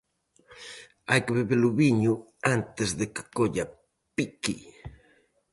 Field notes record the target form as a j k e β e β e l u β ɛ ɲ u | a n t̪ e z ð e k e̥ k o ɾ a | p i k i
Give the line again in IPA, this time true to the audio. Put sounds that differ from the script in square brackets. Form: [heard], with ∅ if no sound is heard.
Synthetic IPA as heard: a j k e β e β e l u β [i] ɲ u | a n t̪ e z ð e k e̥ k o [ʎ] a | p i k i